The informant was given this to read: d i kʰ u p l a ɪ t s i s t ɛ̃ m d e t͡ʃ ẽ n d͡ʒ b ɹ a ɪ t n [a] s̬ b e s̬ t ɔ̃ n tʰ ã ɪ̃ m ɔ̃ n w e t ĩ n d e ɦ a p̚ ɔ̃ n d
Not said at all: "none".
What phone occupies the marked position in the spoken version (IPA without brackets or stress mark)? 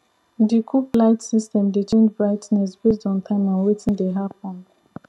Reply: ɛ